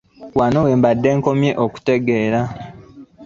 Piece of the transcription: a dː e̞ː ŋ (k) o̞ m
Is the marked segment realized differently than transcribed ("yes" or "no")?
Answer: no